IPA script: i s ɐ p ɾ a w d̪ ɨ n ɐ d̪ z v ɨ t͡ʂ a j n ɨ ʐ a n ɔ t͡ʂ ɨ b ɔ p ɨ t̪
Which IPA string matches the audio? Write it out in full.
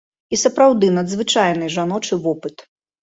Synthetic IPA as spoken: i s ɐ p ɾ a w d̪ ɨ n ɐ d̪ z v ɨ t͡ʂ a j n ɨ ʐ a n ɔ t͡ʂ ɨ v ɔ p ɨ t̪